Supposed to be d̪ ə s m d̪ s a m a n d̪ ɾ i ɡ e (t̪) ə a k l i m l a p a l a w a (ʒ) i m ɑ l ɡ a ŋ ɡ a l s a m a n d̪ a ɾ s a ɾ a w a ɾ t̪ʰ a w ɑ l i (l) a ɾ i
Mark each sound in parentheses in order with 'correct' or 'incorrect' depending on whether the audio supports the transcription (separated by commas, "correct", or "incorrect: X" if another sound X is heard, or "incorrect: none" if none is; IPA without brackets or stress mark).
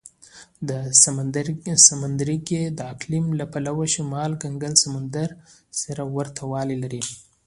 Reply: incorrect: d̪, incorrect: ʃ, correct